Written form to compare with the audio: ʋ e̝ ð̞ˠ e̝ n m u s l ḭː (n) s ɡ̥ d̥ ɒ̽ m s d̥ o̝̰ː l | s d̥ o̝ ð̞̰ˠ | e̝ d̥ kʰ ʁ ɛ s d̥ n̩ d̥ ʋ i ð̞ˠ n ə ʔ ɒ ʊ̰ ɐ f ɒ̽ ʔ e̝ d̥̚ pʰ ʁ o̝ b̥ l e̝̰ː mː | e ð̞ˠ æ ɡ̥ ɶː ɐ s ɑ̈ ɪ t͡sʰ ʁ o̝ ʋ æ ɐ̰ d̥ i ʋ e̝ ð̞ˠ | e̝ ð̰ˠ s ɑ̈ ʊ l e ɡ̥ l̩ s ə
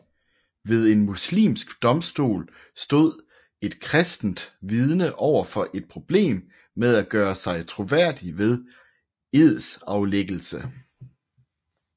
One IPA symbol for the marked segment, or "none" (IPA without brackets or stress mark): m